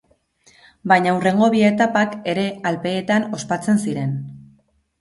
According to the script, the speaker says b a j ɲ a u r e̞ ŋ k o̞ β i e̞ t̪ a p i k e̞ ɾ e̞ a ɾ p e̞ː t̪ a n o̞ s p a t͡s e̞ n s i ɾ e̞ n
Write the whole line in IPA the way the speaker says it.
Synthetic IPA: b a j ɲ a u r e̞ ŋ ɡ o̞ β i e̞ t̪ a p a k e̞ ɾ e̞ a l p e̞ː t̪ a n o̞ s p a t͡s e̞ n s i ɾ e̞ n